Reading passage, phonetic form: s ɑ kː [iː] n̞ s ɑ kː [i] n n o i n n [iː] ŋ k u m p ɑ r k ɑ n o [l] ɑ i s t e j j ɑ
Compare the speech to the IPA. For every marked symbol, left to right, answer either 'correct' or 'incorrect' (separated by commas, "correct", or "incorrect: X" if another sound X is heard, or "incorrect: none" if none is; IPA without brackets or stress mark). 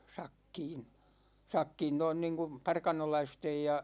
correct, incorrect: iː, correct, correct